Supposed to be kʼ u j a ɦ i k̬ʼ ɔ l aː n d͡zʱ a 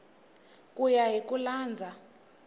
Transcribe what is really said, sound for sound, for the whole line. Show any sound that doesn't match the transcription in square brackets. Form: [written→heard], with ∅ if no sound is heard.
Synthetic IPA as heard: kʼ u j a ɦ i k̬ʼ [ɔ→u] l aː n d͡zʱ a